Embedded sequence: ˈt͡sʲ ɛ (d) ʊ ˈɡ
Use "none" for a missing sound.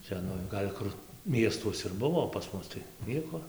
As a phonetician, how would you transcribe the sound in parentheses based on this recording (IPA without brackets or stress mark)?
n